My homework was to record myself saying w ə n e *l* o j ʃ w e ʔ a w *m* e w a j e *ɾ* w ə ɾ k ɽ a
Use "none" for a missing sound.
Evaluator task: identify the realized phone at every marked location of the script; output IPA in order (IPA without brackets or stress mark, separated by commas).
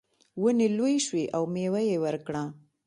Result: l, m, none